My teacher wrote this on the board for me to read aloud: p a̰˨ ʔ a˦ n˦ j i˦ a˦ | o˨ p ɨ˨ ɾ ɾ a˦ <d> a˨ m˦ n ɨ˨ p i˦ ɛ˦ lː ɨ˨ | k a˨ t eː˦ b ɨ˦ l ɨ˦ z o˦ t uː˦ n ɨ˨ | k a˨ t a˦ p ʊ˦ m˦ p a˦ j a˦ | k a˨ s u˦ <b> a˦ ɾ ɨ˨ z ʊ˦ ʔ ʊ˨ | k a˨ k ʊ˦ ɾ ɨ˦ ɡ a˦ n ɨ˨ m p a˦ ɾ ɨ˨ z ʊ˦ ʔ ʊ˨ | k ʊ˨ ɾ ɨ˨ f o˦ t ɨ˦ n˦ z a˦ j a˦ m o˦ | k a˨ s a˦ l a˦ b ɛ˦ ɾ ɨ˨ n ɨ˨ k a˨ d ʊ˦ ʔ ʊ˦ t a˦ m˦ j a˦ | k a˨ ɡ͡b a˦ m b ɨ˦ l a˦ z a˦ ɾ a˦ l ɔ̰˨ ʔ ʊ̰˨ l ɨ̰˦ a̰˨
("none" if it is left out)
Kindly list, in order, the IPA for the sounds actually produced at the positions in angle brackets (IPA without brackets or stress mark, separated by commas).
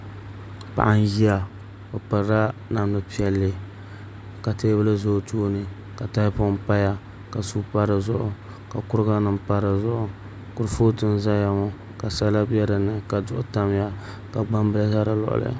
n, p